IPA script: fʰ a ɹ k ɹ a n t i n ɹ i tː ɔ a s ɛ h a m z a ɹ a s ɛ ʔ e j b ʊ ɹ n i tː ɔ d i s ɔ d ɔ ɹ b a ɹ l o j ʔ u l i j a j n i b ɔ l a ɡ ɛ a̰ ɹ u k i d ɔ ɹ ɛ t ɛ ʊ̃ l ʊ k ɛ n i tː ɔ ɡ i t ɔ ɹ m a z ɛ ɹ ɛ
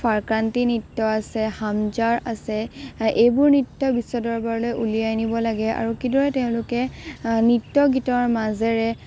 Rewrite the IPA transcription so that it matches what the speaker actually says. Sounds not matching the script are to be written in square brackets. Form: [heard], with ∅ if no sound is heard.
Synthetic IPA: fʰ a ɹ k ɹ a n t i n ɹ i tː ɔ a s ɛ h a m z a ɹ a s ɛ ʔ e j b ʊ ɹ n i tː ɔ [b] i s ɔ d ɔ ɹ b a ɹ l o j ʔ u l i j a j n i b ɔ l a ɡ ɛ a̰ ɹ u k i d ɔ ɹ ɛ t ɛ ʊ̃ l ʊ k ɛ n i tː ɔ ɡ i t ɔ ɹ m a z ɛ ɹ ɛ

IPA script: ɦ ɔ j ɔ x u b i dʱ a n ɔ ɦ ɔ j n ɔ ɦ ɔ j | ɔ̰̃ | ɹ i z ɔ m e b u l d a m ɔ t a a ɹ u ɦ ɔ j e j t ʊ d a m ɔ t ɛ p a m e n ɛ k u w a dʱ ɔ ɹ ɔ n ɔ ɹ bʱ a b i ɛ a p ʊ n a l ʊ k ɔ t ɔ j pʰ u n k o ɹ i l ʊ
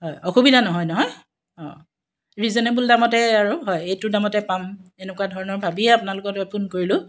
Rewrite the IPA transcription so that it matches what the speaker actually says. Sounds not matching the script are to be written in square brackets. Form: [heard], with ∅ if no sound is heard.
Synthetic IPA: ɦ ɔ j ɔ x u b i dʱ a n ɔ ɦ ɔ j n ɔ ɦ ɔ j | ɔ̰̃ | ɹ i z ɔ [n] e b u l d a m ɔ t [ɛ] a ɹ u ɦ ɔ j e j t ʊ d a m ɔ t ɛ p a m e n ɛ k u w a dʱ ɔ ɹ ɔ n ɔ ɹ bʱ a b i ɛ a p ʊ n a l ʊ k ɔ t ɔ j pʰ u n k o ɹ i l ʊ

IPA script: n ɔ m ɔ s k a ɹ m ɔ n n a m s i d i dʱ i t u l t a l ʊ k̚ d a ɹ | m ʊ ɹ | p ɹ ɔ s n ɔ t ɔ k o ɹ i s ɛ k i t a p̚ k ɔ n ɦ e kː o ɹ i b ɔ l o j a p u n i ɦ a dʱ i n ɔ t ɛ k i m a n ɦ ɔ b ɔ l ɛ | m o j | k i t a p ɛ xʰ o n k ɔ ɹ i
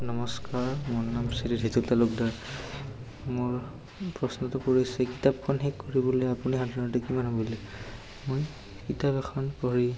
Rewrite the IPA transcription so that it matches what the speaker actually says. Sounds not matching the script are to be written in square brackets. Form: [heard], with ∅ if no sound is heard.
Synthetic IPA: n ɔ m ɔ s k a ɹ m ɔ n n a m s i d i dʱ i t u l t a l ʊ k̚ d a ɹ | m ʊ ɹ | p ɹ ɔ s n ɔ t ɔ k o ɹ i s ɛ k i t a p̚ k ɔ n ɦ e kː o ɹ i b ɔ l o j a p u n i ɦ a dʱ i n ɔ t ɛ k i m a n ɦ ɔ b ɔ l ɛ | m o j | k i t a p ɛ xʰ [ɔ] n k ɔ ɹ i

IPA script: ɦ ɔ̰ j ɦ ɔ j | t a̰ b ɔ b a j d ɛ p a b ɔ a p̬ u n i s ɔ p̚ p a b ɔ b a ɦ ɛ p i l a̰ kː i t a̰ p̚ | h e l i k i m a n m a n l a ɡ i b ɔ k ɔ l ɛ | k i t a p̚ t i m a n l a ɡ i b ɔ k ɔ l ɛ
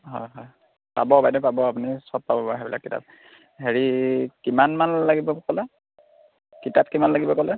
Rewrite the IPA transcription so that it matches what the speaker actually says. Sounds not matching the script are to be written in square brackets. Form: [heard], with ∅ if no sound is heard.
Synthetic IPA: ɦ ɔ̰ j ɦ ɔ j | [p] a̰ b ɔ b a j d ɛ p a b ɔ a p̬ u n i s ɔ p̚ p a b ɔ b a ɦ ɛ [b] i l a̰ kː i t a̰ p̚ | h e [ɹ] i k i m a n m a n l a ɡ i b ɔ k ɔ l ɛ | k i t a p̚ [k] i m a n l a ɡ i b ɔ k ɔ l ɛ

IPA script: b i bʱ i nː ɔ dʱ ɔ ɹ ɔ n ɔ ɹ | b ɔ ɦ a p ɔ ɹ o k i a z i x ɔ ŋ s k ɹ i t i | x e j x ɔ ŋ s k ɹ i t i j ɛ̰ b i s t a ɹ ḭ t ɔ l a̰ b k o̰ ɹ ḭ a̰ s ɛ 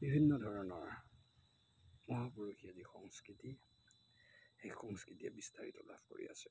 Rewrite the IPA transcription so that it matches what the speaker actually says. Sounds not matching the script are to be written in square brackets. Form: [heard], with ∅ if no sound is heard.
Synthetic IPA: b i bʱ i nː ɔ dʱ ɔ ɹ ɔ n ɔ ɹ | [m] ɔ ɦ a p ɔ ɹ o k i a z i x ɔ ŋ s k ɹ i t i | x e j x ɔ ŋ s k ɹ i t i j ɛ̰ b i s t a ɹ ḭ t ɔ l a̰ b k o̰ ɹ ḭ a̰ s ɛ

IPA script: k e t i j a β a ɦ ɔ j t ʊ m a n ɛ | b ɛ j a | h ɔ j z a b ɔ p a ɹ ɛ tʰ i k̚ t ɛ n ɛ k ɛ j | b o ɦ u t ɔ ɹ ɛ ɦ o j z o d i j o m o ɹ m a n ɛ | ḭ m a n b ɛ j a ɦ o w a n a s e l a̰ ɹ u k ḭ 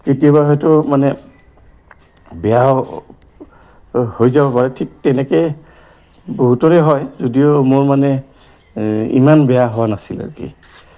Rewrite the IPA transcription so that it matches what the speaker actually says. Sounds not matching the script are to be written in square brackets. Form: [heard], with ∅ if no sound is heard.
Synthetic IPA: k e t i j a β a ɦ ɔ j t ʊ m a n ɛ | b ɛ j a | h [o] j z a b ɔ p a ɹ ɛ tʰ i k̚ t ɛ n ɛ k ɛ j | b o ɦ u t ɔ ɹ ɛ ɦ [ɔ] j z o d i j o m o ɹ m a n ɛ | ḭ m a n b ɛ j a ɦ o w a n a s [i] l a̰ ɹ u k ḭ

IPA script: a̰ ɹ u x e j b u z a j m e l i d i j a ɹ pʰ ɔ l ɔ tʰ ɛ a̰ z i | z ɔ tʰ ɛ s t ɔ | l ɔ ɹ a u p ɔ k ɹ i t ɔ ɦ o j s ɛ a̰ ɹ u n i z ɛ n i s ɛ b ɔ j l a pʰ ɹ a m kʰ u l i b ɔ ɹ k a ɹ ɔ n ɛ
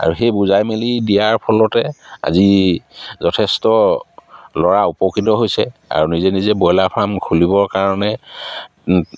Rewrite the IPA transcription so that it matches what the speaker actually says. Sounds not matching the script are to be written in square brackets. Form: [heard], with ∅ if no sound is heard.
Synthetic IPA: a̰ ɹ u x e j b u z a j m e l i d i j a ɹ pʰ ɔ l ɔ [t] ɛ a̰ z i | z ɔ tʰ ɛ s t ɔ | l ɔ ɹ a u p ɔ k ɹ i t ɔ ɦ o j s ɛ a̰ ɹ u n i z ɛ n i [z] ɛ b ɔ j l a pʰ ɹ a m kʰ u l i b ɔ ɹ k a ɹ ɔ n ɛ

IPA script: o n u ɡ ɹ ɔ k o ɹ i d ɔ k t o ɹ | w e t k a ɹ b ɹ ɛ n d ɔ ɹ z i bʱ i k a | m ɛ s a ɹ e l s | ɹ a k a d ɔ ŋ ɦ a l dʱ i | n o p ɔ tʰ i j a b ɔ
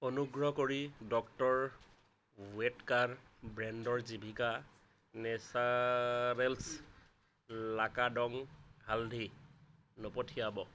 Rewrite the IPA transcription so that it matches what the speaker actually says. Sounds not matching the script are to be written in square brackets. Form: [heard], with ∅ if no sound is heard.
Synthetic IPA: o n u ɡ ɹ ɔ k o ɹ i d ɔ k t [ɔ] ɹ | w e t k a ɹ b ɹ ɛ n d ɔ ɹ z i bʱ i k a | [n] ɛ s a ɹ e l s | [l] a k a d ɔ ŋ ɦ a l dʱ i | n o p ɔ tʰ i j a b ɔ

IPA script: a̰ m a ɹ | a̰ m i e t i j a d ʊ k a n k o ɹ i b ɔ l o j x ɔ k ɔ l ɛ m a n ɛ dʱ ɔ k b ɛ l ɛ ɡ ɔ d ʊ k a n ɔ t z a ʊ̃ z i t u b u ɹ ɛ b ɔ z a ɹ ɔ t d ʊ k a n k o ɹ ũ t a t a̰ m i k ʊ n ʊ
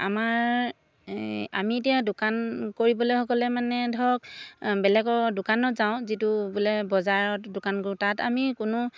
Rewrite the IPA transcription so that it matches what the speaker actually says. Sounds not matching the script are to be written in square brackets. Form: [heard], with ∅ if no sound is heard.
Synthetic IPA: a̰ m a ɹ | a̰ m i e t i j a d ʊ k a n k o ɹ i b ɔ l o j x ɔ k ɔ l ɛ m a n ɛ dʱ ɔ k b ɛ l ɛ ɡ ɔ d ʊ k a n ɔ t z a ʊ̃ z i t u b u [l] ɛ b ɔ z a ɹ ɔ t d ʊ k a n k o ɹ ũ t a t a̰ m i k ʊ n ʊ

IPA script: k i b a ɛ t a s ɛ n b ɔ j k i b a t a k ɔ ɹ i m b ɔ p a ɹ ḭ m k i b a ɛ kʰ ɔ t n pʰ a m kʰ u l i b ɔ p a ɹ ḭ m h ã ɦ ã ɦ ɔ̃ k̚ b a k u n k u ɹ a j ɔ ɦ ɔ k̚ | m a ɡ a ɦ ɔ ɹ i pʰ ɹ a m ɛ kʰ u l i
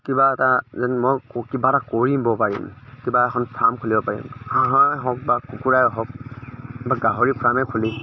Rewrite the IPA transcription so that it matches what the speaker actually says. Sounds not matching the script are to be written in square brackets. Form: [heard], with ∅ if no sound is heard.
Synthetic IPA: k i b a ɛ t a [z] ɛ n [m] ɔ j k i b a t a k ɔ ɹ i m b ɔ p a ɹ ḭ m k i b a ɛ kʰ ɔ [∅] n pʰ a m kʰ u l i b ɔ p a ɹ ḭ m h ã ɦ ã ɦ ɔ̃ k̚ b a k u [∅] k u ɹ a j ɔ ɦ ɔ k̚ | [b] a ɡ a ɦ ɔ ɹ i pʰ ɹ a m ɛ kʰ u l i

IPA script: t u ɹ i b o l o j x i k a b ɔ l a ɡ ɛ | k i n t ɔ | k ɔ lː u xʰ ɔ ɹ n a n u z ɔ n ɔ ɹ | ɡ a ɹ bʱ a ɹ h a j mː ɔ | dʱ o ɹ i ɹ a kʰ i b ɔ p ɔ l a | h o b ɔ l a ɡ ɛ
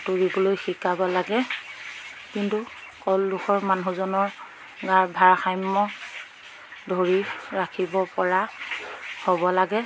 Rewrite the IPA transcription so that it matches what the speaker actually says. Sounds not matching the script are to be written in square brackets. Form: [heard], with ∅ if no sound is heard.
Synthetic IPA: t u ɹ i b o l o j x i k a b ɔ l a ɡ ɛ | k i n t [u] | k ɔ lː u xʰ ɔ ɹ [m] a n u z ɔ n ɔ ɹ | ɡ a ɹ bʱ a ɹ [x] a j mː ɔ | dʱ o ɹ i ɹ a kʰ i b ɔ p ɔ [ɹ] a | h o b ɔ l a ɡ ɛ

